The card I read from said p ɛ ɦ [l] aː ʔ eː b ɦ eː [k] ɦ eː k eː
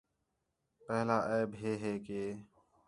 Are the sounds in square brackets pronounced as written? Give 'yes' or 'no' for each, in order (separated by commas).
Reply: yes, no